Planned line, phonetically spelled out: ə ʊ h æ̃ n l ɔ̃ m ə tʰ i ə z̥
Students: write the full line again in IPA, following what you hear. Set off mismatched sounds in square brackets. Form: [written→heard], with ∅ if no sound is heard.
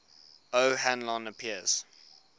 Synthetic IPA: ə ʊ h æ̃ n l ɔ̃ [m→n] ə [tʰ→pʰ] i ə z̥